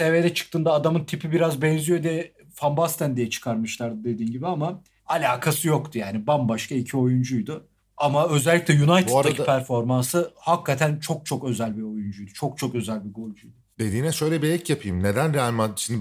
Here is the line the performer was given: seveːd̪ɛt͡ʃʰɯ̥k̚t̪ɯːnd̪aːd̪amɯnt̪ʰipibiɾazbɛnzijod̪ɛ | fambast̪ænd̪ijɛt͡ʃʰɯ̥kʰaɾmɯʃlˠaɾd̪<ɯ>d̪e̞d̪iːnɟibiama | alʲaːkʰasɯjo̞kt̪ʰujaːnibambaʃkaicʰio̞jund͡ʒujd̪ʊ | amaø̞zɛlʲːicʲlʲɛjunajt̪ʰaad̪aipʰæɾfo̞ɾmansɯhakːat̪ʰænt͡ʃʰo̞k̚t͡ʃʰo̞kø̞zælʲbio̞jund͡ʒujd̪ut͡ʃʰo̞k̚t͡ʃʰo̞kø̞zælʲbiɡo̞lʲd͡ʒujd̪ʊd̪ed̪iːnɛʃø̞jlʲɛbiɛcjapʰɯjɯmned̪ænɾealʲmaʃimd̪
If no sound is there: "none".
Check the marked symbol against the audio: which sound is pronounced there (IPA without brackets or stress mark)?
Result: ɯ